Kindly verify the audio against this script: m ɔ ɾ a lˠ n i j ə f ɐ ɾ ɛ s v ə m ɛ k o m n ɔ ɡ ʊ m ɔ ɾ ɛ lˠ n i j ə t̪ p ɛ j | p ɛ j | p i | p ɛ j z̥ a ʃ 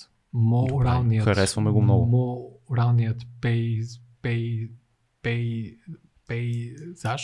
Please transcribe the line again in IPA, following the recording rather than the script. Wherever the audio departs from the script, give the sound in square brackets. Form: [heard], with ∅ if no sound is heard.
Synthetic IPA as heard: m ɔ ɾ a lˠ n i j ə [x] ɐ ɾ ɛ s v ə m ɛ [ɡ] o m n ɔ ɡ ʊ m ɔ ɾ [a] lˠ n i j ə t̪ p ɛ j | p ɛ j | p [ɛ] | p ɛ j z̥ a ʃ